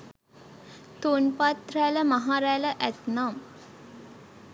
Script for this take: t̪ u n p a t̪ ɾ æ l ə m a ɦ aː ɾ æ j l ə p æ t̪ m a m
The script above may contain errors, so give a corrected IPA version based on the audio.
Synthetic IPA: t̪ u n p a t̪ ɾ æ l ə m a ɦ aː ɾ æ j l ə ʔ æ t̪ n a m